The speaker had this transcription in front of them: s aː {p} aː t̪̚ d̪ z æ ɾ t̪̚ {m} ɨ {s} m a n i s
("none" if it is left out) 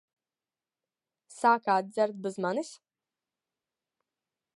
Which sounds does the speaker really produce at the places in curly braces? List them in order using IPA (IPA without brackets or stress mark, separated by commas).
k, b, z